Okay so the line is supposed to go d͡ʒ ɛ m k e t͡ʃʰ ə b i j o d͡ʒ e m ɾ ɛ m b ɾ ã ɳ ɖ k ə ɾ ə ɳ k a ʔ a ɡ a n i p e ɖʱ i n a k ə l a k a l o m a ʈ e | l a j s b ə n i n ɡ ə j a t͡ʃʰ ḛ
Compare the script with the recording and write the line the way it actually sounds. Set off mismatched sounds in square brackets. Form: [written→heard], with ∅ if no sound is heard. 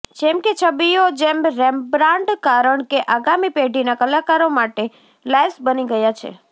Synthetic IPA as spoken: d͡ʒ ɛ m k e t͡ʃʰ ə b i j o d͡ʒ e m ɾ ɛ m b ɾ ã ɳ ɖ k [ə→a] ɾ ə ɳ k [a→e] ʔ a ɡ a [n→m] i p e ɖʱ i n a k ə l a k a [l→ɾ] o m a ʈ e | l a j s b ə n i [n→∅] ɡ ə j a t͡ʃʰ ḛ